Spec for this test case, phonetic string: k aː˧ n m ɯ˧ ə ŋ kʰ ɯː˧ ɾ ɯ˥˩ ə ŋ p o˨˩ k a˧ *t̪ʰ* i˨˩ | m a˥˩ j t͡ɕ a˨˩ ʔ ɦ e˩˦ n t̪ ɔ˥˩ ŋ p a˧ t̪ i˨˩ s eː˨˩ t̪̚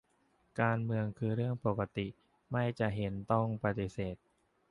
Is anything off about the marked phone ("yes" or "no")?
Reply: yes